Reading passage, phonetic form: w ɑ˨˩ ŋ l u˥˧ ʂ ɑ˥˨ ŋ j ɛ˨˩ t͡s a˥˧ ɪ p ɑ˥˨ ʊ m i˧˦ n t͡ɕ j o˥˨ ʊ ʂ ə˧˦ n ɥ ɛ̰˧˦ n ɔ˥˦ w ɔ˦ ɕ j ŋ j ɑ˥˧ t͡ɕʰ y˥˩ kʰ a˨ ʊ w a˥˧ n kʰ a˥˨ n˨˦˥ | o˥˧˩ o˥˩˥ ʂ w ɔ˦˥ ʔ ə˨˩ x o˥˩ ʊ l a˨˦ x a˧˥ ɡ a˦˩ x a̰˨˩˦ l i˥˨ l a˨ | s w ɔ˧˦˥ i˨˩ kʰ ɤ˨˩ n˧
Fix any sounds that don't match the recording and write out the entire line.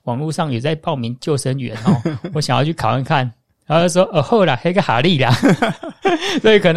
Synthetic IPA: w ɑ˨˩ ŋ l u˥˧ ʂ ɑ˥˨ ŋ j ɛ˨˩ t͡s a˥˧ ɪ p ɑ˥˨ ʊ m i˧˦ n t͡ɕ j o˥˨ ʊ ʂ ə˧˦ n ɥ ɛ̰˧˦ n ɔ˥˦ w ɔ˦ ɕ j ŋ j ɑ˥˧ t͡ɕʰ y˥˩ kʰ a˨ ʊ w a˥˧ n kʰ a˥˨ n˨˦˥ | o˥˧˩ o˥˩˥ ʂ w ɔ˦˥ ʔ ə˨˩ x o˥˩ ʊ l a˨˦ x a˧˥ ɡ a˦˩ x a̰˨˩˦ l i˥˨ l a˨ | s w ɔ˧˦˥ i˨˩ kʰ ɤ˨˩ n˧